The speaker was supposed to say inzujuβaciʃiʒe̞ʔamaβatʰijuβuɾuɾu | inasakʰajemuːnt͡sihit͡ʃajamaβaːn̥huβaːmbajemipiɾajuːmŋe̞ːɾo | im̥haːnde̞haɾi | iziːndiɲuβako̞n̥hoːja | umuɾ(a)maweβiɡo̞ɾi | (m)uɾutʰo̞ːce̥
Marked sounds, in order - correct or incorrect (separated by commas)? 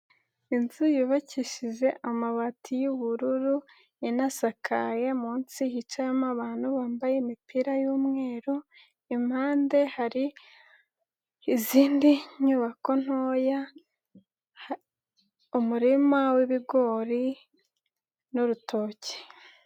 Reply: incorrect, incorrect